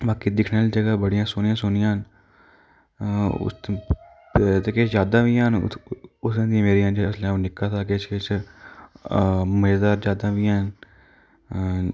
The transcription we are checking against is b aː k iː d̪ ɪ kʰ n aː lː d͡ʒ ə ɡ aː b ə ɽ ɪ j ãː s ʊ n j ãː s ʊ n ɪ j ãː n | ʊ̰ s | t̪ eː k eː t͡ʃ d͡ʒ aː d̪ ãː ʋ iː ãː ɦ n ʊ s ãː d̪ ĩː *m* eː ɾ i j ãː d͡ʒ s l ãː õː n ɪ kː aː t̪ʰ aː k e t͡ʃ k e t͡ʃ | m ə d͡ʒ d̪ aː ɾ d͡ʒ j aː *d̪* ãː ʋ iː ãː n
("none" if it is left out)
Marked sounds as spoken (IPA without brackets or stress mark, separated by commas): m, d̪